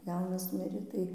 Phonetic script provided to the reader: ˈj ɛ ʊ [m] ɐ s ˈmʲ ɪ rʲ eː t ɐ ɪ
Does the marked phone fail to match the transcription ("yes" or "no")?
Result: yes